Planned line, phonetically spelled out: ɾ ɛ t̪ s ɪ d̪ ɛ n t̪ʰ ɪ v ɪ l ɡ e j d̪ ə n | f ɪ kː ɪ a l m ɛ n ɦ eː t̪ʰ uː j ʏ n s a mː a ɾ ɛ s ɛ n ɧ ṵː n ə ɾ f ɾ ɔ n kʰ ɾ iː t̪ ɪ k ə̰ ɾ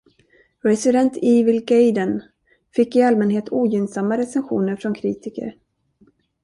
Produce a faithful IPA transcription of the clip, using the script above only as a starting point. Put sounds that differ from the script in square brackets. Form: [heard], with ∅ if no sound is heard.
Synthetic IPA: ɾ ɛ [∅] s ɪ d̪ ɛ n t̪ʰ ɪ v ɪ l ɡ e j d̪ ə n | f ɪ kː ɪ a l m ɛ n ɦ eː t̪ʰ uː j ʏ n s a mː a ɾ ɛ s ɛ n ɧ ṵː n ə ɾ f ɾ ɔ n kʰ ɾ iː t̪ ɪ k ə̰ ɾ